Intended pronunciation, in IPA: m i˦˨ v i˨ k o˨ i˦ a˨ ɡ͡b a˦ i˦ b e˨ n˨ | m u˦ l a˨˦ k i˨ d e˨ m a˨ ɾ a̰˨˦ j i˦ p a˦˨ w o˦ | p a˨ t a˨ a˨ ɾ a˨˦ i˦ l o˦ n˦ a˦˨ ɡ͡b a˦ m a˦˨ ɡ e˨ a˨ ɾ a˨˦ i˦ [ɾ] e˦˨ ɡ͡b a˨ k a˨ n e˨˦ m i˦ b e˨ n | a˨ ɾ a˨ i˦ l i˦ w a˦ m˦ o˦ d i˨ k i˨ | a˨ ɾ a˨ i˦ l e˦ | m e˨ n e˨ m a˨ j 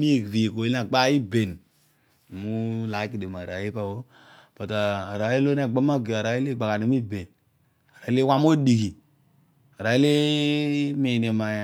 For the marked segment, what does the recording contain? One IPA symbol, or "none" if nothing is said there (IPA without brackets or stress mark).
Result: l